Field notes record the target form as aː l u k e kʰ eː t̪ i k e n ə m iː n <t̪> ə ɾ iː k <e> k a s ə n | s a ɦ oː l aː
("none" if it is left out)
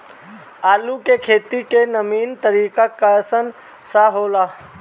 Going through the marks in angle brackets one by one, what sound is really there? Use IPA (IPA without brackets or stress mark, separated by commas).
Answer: t̪, a